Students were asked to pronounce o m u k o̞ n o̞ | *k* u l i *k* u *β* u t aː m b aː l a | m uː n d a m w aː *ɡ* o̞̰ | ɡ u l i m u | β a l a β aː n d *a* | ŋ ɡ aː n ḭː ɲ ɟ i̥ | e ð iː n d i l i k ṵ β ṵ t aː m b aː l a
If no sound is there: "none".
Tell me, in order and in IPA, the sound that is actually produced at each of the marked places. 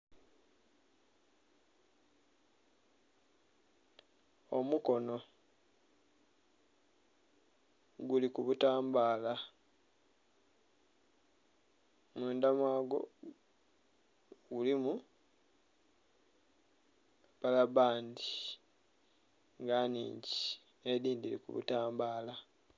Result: ɡ, k, β, ɡ, i

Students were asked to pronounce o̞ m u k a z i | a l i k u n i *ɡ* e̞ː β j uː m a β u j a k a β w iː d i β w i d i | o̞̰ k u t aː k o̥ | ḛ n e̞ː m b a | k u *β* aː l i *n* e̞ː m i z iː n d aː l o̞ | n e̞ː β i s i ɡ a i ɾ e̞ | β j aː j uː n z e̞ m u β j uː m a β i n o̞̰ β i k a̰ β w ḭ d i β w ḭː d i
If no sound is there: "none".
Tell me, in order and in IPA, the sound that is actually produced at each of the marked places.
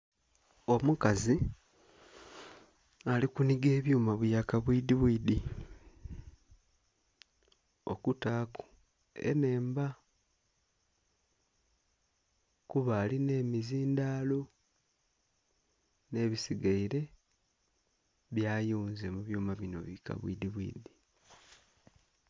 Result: ɡ, β, n

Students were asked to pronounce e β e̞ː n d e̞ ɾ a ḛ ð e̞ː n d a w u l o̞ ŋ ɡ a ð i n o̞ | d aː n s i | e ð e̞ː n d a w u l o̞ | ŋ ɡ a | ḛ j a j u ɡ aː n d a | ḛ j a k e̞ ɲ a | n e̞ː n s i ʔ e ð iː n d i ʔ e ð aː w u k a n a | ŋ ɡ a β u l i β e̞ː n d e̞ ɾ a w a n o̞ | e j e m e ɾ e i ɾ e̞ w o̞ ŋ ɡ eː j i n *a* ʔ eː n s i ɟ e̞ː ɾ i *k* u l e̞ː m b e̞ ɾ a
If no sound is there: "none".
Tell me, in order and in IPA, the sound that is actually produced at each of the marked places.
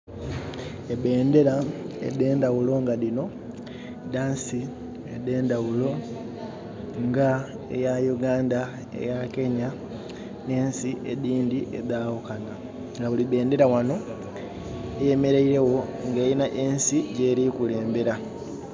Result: a, k

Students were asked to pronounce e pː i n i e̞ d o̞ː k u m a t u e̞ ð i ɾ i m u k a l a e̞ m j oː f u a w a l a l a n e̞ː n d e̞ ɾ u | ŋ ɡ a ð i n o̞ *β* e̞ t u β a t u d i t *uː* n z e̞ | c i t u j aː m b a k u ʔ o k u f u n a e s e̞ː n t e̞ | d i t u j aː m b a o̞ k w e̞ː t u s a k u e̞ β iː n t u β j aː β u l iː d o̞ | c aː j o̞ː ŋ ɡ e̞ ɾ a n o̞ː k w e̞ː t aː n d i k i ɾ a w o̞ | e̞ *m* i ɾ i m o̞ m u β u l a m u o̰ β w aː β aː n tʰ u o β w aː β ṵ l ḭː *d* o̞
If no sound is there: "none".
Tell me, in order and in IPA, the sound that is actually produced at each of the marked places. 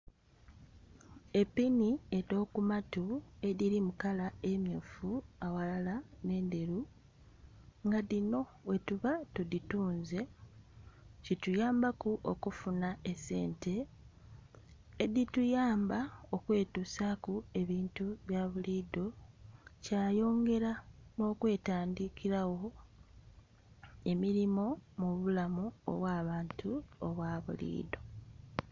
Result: w, uː, m, d

